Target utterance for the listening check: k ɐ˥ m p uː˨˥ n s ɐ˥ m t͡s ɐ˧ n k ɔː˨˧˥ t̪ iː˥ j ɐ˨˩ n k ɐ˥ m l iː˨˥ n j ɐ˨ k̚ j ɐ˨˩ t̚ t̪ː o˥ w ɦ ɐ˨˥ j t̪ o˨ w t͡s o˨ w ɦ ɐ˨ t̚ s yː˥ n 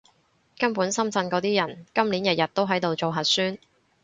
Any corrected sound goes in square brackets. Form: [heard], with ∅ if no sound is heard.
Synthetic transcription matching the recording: k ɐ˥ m p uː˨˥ n s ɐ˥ m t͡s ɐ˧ n k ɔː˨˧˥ t̪ iː˥ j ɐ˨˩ n k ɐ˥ m l iː˨˥ n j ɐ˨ [t̚] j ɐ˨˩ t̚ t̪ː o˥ w ɦ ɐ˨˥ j t̪ o˨ w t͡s o˨ w ɦ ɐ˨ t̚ s yː˥ n